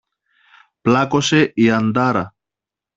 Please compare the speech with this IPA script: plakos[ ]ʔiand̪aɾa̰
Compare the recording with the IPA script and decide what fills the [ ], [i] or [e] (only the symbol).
e